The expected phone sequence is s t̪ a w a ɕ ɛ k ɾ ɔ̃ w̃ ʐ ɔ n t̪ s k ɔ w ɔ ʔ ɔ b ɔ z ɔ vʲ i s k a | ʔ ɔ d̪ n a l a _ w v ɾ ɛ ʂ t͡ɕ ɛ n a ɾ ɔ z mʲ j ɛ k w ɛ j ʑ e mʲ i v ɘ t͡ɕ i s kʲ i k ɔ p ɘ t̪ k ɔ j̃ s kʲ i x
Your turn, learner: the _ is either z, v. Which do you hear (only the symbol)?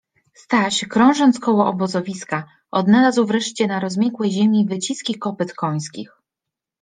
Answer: z